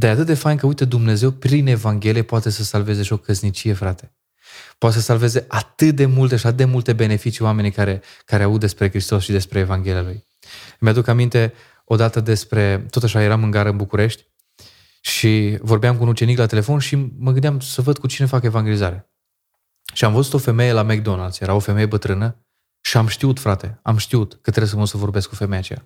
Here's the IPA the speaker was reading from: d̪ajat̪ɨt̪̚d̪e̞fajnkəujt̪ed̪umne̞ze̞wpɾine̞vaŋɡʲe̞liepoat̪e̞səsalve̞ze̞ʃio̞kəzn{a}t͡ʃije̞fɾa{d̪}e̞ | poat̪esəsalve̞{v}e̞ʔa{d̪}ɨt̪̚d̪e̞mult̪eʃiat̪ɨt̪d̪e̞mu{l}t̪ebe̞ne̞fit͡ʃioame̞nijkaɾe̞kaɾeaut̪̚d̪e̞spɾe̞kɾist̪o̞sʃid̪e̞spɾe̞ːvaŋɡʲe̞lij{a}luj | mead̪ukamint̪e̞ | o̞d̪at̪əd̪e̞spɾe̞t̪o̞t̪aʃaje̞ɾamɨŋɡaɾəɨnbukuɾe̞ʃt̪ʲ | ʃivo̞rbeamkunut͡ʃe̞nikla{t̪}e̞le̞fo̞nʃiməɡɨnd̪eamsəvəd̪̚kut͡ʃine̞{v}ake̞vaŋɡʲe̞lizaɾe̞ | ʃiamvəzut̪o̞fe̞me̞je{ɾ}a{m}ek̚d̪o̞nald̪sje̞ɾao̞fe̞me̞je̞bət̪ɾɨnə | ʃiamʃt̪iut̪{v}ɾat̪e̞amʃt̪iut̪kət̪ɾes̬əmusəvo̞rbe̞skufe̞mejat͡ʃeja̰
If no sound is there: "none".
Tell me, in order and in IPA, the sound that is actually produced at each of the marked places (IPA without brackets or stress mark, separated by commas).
i, t̪, z, t̪, l, a, t̪, f, l, m, f